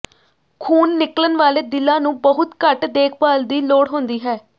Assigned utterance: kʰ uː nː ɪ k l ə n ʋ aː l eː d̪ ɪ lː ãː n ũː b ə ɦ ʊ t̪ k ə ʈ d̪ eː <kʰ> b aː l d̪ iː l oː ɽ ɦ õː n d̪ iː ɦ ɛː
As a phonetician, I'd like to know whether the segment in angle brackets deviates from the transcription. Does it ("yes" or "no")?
no